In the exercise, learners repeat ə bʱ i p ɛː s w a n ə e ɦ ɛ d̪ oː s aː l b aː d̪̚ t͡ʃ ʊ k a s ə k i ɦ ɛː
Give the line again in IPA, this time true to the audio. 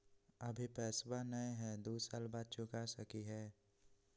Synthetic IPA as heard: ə bʱ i p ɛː s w a n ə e ɦ ɛ d̪ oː s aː l b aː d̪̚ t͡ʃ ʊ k a s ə k i ɦ ɛː